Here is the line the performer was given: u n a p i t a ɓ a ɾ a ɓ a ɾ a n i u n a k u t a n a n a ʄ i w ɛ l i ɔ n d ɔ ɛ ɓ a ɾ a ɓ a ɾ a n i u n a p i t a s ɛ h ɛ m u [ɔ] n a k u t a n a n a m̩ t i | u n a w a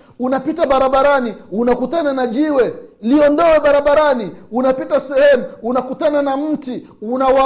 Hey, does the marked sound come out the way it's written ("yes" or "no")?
no